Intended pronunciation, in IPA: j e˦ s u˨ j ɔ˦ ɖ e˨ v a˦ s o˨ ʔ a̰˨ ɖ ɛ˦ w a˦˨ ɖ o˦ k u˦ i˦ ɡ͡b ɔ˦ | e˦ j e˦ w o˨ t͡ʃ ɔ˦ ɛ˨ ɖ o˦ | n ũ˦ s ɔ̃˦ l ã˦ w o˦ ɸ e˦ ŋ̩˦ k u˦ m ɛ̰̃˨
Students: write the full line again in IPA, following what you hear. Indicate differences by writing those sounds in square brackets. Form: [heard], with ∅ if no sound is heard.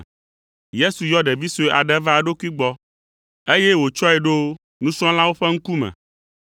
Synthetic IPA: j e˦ s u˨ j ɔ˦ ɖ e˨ v [i˦] s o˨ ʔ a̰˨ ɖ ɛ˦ [v] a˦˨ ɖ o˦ k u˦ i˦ ɡ͡b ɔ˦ | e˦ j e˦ w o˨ t͡ʃ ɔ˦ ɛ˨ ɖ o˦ | n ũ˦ s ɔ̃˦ l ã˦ w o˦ ɸ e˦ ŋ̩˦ k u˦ m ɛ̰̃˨

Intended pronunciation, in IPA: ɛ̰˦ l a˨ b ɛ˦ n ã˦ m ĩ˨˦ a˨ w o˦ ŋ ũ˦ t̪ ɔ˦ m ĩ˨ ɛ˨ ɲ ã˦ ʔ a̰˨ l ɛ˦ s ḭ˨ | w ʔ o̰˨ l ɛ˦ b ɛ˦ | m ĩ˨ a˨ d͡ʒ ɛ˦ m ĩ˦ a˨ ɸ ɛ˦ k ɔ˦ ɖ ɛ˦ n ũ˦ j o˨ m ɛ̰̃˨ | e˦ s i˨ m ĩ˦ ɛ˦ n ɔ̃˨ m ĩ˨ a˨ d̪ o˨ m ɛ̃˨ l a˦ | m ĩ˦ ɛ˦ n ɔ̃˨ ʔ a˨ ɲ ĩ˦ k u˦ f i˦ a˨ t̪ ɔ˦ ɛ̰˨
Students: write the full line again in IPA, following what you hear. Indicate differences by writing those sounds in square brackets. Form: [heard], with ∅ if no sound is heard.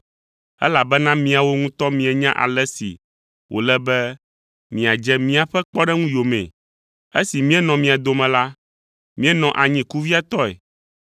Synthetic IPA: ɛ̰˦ l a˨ b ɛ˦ n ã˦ m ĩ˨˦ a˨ w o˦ ŋ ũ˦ t̪ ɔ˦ m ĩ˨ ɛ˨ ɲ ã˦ ʔ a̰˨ l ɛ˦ s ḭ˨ | w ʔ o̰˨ l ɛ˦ b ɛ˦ | m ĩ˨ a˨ d͡ʒ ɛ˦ m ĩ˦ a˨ ɸ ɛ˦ [k͡p] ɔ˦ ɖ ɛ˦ [ŋ] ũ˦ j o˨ m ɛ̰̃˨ | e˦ s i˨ m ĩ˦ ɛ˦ n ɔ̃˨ m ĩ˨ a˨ d̪ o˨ m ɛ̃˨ l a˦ | m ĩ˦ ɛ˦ n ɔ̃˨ ʔ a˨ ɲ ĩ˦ k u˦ [v] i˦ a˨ t̪ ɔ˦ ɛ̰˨

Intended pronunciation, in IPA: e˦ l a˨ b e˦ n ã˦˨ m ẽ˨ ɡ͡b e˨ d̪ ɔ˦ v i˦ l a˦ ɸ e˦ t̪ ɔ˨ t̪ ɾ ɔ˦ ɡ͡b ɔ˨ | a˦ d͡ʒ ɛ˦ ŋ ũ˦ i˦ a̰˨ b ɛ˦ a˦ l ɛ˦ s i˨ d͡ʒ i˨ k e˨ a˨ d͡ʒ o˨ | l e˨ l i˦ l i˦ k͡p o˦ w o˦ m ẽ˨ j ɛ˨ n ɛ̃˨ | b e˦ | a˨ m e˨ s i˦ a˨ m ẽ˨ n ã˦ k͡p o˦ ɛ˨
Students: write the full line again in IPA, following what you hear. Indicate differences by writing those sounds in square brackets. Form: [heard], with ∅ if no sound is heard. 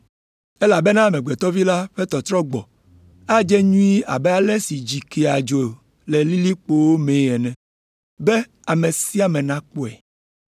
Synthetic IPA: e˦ l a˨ b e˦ n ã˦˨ m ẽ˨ ɡ͡b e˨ [t̪] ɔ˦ v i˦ l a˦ ɸ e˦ t̪ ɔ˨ t̪ ɾ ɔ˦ ɡ͡b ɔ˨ | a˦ d͡ʒ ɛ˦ [ɲ] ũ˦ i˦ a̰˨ b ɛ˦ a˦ l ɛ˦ s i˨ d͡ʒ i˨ k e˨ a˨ d͡ʒ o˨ | l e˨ l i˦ l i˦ k͡p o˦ w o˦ m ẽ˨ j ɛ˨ n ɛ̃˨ | b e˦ | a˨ m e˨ s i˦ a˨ m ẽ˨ n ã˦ k͡p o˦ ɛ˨

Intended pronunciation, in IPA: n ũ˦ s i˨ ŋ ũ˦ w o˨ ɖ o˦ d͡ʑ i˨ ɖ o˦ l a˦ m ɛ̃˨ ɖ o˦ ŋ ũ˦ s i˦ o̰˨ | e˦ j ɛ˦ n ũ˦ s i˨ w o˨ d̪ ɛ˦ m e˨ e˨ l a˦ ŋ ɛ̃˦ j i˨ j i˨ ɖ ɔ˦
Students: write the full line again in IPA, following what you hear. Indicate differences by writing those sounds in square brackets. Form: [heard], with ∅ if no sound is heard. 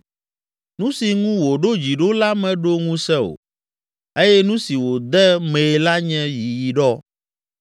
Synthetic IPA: n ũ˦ s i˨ ŋ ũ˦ w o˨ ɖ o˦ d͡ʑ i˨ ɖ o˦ l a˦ m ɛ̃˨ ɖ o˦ ŋ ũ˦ s [ɛ˦] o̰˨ | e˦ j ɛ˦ n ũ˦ s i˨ w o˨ d̪ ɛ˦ m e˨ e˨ l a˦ [ɲ] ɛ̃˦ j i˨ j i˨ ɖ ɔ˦

